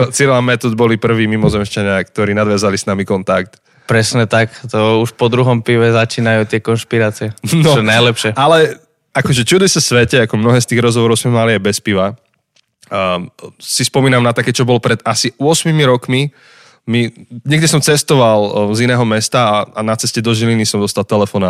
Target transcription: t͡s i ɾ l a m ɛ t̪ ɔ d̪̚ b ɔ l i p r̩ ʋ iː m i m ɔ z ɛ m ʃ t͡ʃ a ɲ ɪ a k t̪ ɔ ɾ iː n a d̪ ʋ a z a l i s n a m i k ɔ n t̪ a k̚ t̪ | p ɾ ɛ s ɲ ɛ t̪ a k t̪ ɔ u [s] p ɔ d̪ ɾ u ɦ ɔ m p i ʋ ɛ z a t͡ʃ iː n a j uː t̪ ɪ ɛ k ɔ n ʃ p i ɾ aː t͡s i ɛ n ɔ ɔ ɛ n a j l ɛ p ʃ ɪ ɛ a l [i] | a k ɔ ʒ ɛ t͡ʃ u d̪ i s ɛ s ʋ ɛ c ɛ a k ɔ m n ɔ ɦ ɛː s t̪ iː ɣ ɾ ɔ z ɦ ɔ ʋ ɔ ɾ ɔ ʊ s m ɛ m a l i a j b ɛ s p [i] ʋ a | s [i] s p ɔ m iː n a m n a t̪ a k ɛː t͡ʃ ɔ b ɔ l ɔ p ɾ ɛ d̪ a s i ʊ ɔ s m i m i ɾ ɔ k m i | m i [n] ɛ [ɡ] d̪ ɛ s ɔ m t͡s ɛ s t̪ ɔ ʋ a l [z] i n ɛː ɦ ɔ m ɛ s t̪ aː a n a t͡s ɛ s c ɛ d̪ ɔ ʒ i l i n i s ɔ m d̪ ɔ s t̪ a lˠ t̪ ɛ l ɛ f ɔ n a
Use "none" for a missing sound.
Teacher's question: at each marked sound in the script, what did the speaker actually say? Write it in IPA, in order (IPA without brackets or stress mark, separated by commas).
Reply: ʃ, ɛ, i, i, ɲ, ɡ, z